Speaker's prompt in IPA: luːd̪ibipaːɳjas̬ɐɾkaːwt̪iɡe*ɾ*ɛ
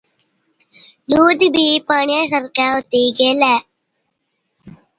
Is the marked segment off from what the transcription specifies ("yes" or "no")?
yes